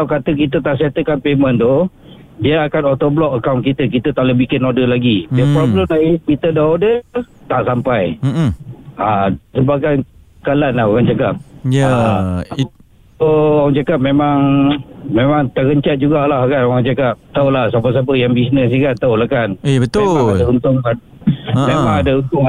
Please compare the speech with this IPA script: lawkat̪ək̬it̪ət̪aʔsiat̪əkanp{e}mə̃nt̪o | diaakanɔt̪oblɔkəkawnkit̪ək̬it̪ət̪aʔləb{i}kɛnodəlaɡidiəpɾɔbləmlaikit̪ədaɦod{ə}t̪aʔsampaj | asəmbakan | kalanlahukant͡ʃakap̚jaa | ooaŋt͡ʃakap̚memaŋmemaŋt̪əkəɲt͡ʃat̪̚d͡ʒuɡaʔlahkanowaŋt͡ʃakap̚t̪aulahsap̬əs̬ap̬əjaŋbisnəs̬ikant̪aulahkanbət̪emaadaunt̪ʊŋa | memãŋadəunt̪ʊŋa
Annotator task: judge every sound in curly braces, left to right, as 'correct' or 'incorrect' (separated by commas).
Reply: correct, correct, correct